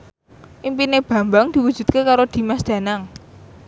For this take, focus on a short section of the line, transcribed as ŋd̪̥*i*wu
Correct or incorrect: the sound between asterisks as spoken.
correct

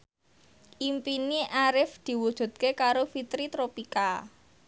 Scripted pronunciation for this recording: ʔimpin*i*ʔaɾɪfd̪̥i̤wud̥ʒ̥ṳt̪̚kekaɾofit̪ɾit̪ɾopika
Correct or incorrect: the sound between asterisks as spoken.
correct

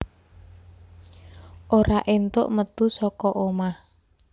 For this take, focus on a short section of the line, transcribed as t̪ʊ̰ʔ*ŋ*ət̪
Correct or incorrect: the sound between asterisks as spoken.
incorrect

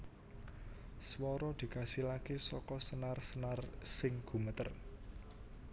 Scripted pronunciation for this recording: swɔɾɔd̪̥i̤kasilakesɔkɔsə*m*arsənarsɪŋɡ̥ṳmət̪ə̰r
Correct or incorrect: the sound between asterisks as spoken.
incorrect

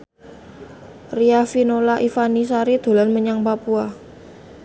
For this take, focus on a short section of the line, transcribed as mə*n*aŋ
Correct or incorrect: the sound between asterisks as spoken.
incorrect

